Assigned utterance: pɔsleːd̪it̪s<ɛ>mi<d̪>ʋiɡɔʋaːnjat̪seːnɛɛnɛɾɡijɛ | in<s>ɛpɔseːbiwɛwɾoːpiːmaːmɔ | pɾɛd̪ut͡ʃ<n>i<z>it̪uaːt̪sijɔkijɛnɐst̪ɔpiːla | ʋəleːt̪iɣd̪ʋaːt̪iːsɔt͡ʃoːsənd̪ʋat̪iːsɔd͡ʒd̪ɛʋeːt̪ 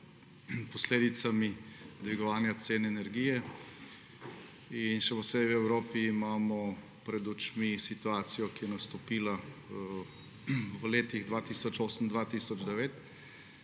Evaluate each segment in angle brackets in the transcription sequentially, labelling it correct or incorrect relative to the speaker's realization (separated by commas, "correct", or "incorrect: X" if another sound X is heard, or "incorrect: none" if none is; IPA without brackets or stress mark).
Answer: incorrect: a, correct, incorrect: ʃ, incorrect: m, incorrect: s